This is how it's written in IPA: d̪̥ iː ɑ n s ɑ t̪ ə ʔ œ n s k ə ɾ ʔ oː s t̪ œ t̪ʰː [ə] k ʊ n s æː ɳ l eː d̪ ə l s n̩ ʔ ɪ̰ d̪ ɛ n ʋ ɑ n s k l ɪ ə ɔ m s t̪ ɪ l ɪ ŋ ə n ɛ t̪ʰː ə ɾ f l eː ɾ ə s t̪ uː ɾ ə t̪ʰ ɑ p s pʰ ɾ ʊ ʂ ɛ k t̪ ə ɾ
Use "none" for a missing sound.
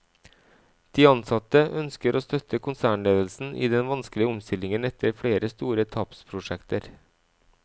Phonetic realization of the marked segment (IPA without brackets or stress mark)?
ə